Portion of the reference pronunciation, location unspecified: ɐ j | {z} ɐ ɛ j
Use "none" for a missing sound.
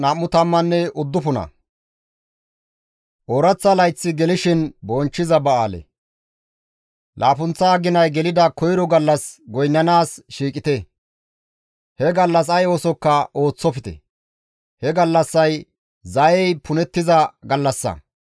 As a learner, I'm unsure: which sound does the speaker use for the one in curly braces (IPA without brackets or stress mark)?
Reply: z